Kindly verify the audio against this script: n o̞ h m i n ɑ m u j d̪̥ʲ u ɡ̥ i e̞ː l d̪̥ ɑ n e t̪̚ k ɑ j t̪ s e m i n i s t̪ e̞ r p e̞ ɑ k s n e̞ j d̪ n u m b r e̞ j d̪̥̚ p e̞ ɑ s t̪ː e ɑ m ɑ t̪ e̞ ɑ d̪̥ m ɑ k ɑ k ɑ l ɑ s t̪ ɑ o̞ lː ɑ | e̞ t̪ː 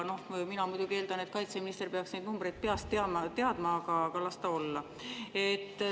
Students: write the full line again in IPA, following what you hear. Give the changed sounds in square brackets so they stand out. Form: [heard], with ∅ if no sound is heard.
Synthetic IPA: n o̞ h m i n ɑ m u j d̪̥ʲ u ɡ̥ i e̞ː l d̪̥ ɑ n e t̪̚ k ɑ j t̪ s e m i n i s t̪ e̞ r p e̞ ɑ k s n e̞ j d̪ n u m b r e̞ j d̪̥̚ p e̞ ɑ s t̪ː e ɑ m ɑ t̪ e̞ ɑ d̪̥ m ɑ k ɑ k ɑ l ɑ s t̪ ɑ o̞ lː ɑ | e̞ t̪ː